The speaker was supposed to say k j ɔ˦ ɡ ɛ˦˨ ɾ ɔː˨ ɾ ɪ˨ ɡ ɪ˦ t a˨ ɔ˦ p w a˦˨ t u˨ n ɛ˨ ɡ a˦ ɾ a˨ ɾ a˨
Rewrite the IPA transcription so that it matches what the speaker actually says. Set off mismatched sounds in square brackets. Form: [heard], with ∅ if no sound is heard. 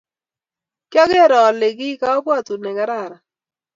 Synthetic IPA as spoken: k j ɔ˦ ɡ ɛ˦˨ ɾ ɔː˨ [l] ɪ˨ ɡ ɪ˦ [k] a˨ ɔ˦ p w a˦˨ t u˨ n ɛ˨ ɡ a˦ ɾ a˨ ɾ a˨